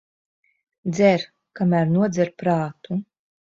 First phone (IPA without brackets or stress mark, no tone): d̪